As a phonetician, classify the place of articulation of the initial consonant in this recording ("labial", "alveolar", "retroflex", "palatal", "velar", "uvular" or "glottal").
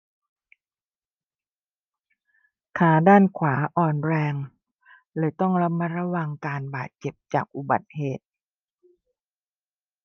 velar